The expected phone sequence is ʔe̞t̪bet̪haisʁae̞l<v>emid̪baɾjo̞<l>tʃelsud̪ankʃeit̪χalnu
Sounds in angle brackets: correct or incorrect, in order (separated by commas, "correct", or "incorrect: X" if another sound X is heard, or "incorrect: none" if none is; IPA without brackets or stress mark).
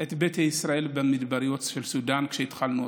incorrect: b, incorrect: none